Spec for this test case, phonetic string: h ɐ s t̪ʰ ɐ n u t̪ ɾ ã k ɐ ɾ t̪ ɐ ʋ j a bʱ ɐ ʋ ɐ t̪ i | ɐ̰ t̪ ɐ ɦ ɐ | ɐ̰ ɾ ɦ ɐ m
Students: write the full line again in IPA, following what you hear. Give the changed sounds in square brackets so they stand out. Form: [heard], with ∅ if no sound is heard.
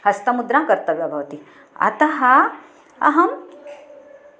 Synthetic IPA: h ɐ s [t̪] ɐ [m] u [d̪] ɾ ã k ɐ ɾ t̪ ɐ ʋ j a bʱ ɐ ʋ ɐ t̪ i | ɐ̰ t̪ ɐ ɦ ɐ | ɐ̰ [∅] ɦ ɐ m